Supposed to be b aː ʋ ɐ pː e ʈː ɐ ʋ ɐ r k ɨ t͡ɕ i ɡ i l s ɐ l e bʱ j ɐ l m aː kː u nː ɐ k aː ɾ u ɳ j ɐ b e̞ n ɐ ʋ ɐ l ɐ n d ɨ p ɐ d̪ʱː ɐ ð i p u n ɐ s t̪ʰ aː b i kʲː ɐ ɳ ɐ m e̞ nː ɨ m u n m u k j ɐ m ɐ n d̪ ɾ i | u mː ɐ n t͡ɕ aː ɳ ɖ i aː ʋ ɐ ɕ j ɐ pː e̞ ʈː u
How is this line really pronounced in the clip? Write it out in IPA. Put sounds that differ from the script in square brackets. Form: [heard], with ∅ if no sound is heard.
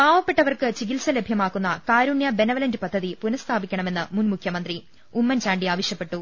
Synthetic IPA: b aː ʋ ɐ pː e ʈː ɐ ʋ ɐ r k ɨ t͡ɕ i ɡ i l s ɐ l e bʱ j ɐ [∅] m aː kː u nː ɐ k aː ɾ u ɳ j ɐ b e̞ n ɐ ʋ ɐ l ɐ n d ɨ p ɐ d̪ʱː ɐ ð i p u n ɐ s t̪ʰ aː b i kʲː ɐ ɳ ɐ m e̞ nː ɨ m u n m u [kʰ] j ɐ m ɐ n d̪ [r] i | u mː ɐ n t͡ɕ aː ɳ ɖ i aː ʋ ɐ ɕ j ɐ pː e̞ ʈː u